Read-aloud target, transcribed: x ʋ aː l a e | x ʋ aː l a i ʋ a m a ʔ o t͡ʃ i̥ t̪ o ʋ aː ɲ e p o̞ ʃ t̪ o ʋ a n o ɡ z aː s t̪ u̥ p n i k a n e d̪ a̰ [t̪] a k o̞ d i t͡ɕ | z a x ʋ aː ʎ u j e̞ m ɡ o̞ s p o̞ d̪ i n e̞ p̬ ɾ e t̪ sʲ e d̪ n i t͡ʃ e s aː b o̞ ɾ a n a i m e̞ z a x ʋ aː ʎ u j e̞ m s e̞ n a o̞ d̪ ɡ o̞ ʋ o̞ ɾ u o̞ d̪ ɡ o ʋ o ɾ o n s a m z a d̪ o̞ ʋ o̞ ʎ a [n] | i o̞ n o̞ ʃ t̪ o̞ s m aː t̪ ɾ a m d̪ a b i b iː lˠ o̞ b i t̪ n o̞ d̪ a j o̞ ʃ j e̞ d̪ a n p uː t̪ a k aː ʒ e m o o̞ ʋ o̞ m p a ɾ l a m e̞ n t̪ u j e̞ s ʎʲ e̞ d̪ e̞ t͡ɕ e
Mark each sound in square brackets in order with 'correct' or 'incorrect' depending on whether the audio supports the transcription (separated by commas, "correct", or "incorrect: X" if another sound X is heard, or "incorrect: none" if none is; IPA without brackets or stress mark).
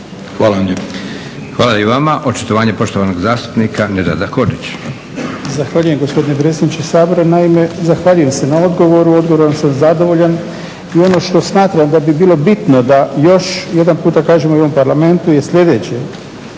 incorrect: d̪, correct